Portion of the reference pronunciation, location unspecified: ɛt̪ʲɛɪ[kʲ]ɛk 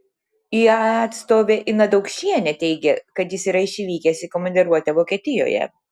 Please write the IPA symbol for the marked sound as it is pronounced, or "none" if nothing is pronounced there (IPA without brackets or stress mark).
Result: ɡʲ